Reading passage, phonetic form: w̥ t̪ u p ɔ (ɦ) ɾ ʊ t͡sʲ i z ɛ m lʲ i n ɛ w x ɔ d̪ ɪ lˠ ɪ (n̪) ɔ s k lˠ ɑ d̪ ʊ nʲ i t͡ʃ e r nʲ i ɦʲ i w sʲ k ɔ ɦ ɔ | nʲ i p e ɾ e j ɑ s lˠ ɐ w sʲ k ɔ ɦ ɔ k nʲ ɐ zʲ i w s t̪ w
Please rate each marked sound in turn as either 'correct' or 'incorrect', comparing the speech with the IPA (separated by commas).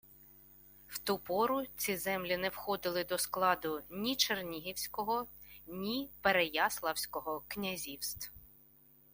incorrect, incorrect